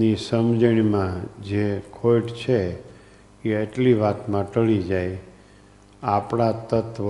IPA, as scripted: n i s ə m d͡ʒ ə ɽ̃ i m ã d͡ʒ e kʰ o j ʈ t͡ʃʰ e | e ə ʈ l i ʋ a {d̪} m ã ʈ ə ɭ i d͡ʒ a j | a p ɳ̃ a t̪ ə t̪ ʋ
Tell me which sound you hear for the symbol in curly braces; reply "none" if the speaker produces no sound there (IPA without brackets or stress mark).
t̪